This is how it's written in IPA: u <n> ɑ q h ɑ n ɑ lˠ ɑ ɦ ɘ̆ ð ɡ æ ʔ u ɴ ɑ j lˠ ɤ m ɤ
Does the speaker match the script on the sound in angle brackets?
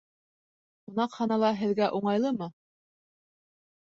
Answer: yes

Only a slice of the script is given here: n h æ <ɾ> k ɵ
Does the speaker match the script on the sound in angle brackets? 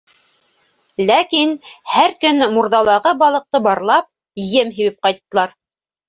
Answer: yes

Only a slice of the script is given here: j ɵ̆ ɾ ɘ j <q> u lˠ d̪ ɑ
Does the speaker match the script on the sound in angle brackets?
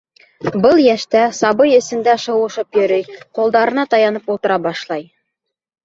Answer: yes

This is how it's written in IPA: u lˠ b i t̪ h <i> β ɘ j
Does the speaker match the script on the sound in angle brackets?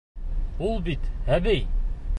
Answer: no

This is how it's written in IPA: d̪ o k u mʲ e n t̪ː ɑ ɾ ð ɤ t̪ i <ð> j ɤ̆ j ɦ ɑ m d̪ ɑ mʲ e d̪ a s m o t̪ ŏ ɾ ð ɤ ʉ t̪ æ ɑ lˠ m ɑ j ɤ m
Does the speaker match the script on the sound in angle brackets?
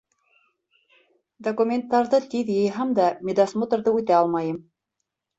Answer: yes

